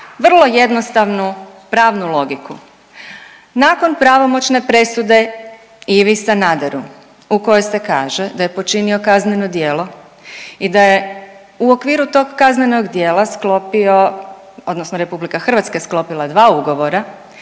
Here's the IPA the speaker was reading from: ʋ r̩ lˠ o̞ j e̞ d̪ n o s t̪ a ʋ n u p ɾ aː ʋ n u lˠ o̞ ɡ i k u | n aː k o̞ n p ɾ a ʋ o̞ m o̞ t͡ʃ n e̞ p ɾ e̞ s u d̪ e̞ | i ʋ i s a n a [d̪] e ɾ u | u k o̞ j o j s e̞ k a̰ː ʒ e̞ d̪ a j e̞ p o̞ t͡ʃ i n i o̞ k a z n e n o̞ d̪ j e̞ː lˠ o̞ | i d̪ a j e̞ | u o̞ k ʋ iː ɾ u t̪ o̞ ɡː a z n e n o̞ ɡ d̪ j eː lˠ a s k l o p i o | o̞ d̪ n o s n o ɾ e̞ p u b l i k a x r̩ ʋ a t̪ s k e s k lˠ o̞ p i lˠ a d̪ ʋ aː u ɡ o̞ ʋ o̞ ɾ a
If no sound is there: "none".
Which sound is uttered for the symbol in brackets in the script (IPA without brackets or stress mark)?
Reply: d̪